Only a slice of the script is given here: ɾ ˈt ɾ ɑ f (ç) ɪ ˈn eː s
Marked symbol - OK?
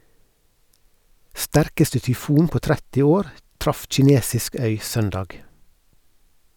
no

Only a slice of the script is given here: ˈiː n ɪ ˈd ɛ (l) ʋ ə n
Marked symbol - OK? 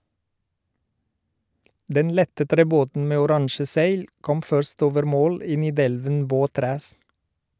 yes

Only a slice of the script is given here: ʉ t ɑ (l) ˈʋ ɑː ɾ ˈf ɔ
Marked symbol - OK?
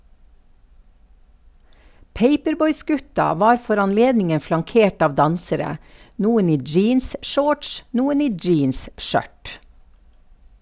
no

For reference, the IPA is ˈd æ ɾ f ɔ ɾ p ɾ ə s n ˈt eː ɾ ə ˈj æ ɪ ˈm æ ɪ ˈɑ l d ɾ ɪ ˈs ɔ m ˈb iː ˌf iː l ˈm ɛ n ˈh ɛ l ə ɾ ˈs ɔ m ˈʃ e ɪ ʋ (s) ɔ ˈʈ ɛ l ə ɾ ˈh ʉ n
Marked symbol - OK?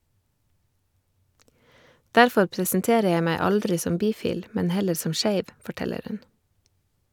no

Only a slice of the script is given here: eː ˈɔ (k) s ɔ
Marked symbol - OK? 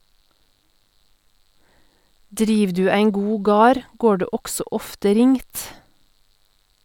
no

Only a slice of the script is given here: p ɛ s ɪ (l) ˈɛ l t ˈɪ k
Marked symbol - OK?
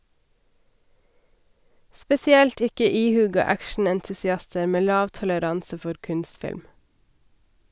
no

